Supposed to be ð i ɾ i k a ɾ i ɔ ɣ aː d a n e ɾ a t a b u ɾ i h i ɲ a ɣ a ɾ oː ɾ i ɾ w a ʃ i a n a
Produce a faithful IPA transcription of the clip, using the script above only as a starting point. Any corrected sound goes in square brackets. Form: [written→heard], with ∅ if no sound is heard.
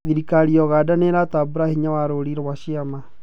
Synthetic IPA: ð i ɾ i k a ɾ i ɔ ɣ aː d a n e ɾ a t a b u ɾ [i→a] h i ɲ a [ɣ→w] a ɾ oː ɾ i ɾ w a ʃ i a [n→m] a